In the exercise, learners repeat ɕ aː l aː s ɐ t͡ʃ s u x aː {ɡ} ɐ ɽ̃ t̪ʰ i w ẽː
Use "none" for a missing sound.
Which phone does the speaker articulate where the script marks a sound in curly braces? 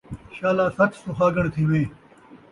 ɡ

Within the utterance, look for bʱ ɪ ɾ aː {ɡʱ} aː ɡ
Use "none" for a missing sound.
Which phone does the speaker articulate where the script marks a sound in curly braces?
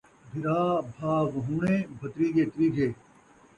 bʱ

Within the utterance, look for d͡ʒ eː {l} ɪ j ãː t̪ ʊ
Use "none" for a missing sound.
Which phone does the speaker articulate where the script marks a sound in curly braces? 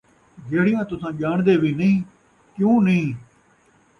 ɽ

